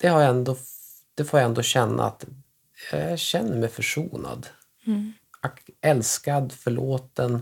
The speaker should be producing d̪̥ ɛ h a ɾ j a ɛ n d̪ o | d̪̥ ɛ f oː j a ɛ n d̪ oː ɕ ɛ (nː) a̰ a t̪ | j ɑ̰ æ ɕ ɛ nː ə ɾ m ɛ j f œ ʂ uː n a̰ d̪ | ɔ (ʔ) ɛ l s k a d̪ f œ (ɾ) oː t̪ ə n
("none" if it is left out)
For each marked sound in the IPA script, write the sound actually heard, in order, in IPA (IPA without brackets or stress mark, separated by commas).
nː, k, ɭ